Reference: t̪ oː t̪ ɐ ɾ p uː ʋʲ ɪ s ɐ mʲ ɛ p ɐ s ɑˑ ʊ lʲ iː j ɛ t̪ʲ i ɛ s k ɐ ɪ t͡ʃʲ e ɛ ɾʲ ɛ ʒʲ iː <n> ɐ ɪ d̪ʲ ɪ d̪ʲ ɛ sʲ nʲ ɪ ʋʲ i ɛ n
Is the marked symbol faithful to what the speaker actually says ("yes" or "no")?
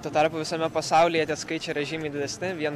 no